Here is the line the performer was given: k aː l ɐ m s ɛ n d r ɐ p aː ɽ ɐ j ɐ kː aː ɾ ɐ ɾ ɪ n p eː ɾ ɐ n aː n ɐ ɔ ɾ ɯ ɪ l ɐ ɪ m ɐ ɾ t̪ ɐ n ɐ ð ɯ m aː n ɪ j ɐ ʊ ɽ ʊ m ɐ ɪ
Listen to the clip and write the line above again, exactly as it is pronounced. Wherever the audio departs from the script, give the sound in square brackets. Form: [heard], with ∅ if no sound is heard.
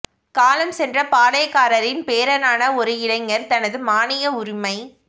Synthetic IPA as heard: k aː l ɐ m s ɛ n d r ɐ p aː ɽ ɐ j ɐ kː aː ɾ ɐ ɾ ɪ n p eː ɾ ɐ n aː n ɐ ɔ ɾ ɯ ɪ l ɐ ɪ [ŋ] ɐ ɾ t̪ ɐ n ɐ ð ɯ m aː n ɪ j ɐ ʊ [ɾ] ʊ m ɐ ɪ